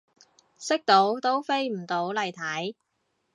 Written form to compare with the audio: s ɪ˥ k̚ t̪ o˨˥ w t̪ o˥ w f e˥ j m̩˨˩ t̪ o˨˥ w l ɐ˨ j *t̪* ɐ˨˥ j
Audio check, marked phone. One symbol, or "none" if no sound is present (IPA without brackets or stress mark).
t̪ʰ